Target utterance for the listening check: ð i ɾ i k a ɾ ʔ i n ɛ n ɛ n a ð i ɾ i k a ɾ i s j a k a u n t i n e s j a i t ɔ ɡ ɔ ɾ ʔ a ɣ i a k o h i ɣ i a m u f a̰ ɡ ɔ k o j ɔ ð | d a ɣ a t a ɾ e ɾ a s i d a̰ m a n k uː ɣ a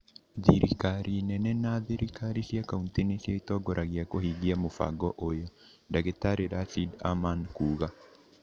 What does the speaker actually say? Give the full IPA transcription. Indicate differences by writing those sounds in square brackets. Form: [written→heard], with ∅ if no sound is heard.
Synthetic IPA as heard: ð i ɾ i k a ɾ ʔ i n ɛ n ɛ n a ð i ɾ i k a ɾ i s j a k a u n t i n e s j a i t ɔ ɡ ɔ ɾ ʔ a ɣ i a k o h i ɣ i a m [u→o] f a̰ ɡ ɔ [k→ʔ] o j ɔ [ð→∅] | d a ɣ [a→e] t a ɾ e ɾ a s i d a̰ m a n k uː ɣ a

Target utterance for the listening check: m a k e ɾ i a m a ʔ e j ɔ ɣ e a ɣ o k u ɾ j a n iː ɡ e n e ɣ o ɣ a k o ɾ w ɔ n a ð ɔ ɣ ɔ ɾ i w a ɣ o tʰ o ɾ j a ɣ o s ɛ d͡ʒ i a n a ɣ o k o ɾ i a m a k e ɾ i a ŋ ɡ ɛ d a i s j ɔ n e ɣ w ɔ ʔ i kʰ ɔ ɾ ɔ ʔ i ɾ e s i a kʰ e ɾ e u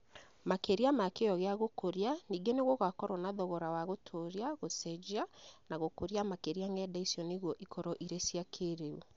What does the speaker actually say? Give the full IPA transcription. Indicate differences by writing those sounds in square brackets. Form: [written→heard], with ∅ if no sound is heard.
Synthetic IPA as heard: m a k e ɾ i a m a [ʔ→k] e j ɔ ɣ e a ɣ o k [u→o] ɾ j a n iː ɡ e n e ɣ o ɣ a k [o→ɔ] ɾ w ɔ n a ð ɔ ɣ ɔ ɾ [i→a] w a ɣ o tʰ o ɾ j a ɣ o s ɛ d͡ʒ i a n a ɣ o k o ɾ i a m a k e ɾ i a ŋ ɡ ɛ d a i s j ɔ n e ɣ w ɔ ʔ i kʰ ɔ ɾ ɔ ʔ i ɾ e s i a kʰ e ɾ e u

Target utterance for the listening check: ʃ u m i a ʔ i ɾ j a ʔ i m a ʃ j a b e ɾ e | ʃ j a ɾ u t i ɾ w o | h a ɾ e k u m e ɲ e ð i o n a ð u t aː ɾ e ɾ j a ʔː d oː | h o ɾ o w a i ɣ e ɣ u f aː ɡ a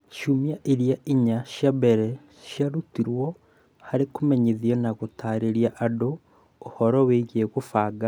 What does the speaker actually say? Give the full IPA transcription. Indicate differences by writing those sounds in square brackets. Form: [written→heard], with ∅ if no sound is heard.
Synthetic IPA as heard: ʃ u m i a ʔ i ɾ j a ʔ i [m→ɲ] a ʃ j a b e ɾ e | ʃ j a ɾ u t i ɾ w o | h a ɾ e k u m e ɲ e ð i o n a [ð→ɣ] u t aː ɾ e ɾ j a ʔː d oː | h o ɾ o w [a→e] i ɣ e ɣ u f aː ɡ a

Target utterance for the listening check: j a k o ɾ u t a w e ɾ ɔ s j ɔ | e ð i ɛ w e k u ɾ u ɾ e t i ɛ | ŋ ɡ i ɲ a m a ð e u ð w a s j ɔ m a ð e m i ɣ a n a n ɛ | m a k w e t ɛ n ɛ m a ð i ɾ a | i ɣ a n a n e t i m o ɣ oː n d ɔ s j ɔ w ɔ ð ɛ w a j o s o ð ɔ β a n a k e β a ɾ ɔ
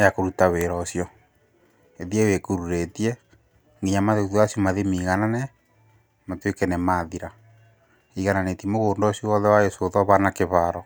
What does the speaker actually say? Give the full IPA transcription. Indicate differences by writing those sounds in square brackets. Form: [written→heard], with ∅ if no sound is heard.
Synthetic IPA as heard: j a k o ɾ u t a w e ɾ ɔ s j ɔ | e ð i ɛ w e k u ɾ u ɾ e t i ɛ | ŋ ɡ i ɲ a m a ð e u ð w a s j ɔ m a ð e m i ɣ a n a n ɛ | m a [k→t] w e [t→k] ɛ n ɛ m a ð i ɾ a | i ɣ a n a n e t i m o ɣ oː n d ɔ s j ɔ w ɔ ð ɛ w a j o s o ð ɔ β a n a k e β a ɾ ɔ

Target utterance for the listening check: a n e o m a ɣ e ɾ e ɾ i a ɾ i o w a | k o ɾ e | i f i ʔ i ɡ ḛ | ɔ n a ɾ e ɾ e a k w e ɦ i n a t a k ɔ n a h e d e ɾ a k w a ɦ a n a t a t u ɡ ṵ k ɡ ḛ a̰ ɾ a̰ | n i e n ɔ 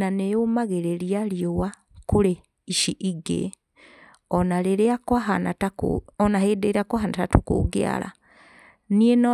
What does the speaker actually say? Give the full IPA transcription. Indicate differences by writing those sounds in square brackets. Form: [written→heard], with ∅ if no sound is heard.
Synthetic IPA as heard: a n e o m a ɣ e ɾ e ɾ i a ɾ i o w a | k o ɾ e | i [f→ʃ] i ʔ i ɡ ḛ | ɔ n a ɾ e ɾ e a k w [e→a] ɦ [i→a] n a t a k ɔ n a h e d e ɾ a k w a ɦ a n a t a t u [ɡ→k] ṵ [k→∅] ɡ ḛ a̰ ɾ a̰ | n i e n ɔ

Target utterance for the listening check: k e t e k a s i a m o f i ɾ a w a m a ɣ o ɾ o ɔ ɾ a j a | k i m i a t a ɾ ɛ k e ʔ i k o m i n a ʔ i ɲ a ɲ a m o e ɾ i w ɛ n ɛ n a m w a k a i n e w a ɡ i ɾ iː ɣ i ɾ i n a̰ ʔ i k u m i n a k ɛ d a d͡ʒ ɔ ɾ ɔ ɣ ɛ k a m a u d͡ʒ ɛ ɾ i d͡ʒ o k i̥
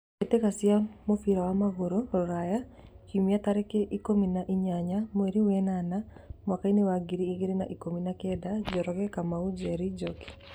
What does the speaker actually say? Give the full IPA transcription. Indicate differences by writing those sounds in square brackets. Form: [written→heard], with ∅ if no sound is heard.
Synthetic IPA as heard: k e t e k a s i a m o f i ɾ a w a m a ɣ o ɾ o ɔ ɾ a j a | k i m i a t a ɾ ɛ k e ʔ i k o m i n a ʔ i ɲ a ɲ a m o e ɾ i w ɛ n [ɛ→a] n a m w a k a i n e w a ɡ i ɾ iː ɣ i ɾ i n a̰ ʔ i k [u→o] m i n a k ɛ d a d͡ʒ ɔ ɾ ɔ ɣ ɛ k a m a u d͡ʒ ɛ ɾ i d͡ʒ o k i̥

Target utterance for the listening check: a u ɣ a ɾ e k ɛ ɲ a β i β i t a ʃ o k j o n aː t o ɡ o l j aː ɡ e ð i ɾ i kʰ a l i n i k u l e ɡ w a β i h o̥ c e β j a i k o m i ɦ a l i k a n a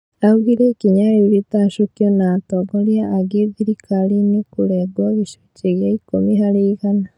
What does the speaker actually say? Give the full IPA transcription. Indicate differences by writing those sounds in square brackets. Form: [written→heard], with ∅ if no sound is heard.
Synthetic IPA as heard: a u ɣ [a→i] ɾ e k [ɛ→i] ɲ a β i β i t a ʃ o k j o n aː t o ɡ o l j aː ɡ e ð i ɾ i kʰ a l i n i k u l e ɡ w a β i [h→ʃ] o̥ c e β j a i k o m i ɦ a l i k a n a

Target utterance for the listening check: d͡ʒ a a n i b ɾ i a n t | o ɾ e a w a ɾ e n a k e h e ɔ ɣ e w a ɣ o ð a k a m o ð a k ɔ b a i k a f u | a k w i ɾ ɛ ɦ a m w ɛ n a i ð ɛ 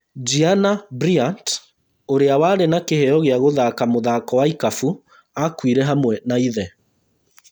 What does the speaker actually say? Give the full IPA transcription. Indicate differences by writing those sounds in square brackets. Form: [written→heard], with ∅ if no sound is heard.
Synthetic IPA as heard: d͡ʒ [a→i] a n [i→a] b ɾ i a n t | o ɾ e a w a ɾ e n a k e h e ɔ ɣ e [w→∅] a ɣ o ð a k a m o ð a k ɔ [b→w] a i k a f u | a k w i ɾ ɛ ɦ a m w ɛ n a i ð ɛ

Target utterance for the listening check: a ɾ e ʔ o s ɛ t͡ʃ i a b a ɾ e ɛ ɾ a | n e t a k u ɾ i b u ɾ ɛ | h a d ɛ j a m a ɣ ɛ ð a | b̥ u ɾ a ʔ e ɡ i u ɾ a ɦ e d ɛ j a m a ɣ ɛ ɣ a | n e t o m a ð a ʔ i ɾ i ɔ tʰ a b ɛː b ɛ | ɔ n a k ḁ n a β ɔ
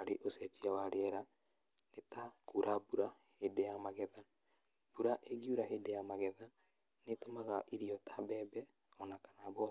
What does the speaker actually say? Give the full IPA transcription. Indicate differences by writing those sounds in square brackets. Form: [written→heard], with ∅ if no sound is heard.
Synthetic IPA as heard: a ɾ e ʔ o s ɛ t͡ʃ i a [b→w] a ɾ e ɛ ɾ a | n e t a k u ɾ [i→a] b u ɾ [ɛ→a] | h [a→e] d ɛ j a m a ɣ ɛ ð a | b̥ u ɾ a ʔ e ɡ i u ɾ a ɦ e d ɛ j a m a ɣ ɛ [ɣ→ð] a | n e t o m a [ð→ɣ] a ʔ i ɾ i ɔ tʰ a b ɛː b ɛ | ɔ n a k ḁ n a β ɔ

